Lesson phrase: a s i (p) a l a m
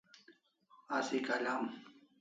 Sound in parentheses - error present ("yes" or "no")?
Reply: yes